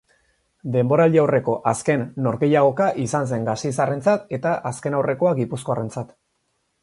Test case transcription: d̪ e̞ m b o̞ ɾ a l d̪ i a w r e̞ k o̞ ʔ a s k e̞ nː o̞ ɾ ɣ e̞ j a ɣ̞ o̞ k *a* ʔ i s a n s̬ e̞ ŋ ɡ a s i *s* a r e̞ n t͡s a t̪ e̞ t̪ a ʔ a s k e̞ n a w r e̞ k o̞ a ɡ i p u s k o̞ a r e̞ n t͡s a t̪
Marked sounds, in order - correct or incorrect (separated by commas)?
correct, correct